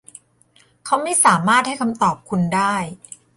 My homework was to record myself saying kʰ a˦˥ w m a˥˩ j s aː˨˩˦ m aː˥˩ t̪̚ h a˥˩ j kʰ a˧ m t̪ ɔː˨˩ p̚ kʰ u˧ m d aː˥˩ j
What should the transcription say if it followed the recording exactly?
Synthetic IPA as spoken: kʰ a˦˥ w m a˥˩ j s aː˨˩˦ m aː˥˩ t̪̚ h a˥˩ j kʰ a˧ m t̪ ɔː˨˩ p̚ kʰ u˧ n d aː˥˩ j